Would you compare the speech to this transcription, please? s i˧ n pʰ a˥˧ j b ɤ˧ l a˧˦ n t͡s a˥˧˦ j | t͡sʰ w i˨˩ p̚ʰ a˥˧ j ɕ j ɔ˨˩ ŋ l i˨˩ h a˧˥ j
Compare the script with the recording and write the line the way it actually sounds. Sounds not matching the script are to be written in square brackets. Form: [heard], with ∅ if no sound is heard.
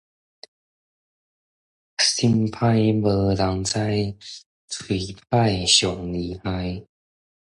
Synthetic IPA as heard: s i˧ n pʰ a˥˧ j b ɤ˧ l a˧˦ [ŋ] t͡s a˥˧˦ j | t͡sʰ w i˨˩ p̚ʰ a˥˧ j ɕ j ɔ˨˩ ŋ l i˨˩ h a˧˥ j